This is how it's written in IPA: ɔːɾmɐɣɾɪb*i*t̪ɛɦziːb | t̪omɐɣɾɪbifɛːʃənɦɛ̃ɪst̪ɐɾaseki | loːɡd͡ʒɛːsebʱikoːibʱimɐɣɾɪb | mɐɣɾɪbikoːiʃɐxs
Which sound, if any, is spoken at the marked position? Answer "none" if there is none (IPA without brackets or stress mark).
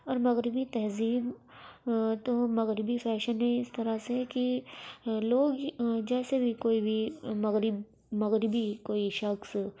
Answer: i